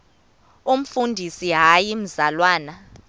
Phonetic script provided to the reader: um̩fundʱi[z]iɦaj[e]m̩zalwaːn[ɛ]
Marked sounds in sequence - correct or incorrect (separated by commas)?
incorrect, incorrect, incorrect